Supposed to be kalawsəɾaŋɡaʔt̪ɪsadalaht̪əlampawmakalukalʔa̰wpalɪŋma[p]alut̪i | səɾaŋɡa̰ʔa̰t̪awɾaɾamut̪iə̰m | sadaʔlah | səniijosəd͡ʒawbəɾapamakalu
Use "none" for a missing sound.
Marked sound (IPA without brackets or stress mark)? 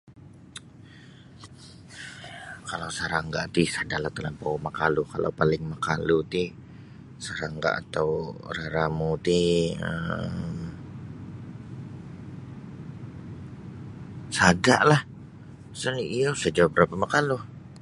k